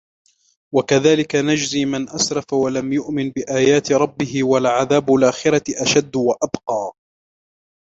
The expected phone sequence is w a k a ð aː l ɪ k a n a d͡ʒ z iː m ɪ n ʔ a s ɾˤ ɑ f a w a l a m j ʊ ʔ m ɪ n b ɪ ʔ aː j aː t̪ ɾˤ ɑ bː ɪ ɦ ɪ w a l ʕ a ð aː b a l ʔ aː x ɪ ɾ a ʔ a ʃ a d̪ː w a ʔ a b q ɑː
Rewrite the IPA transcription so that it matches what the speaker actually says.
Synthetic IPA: w a k a ð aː l ɪ k a n a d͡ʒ z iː m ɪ n ʔ a s ɾˤ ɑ f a w a l a m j ʊ ʔ m ɪ n b ɪ ʔ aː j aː t̪ ɾˤ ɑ bː ɪ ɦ ɪ w a l ʕ a ð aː b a l ʔ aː x ɪ ɾ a ʔ a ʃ a d̪ː w a ʔ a b q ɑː